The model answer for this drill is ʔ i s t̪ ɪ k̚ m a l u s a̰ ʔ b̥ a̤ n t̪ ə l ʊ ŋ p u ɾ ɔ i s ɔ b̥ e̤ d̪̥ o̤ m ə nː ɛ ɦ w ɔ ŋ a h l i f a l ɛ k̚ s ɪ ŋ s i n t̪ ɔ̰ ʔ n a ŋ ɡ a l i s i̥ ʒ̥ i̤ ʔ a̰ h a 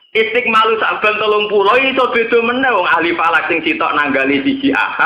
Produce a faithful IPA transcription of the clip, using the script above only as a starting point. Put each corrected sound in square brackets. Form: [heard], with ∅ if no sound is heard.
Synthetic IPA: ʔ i s t̪ ɪ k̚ m a l u s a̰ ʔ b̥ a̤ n t̪ ə l ʊ ŋ p u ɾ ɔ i s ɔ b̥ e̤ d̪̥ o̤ m ə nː ɛ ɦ w ɔ ŋ a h l i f a l [a] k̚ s ɪ ŋ s i [∅] t̪ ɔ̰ ʔ n a ŋ ɡ a l i s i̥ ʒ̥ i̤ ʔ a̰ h a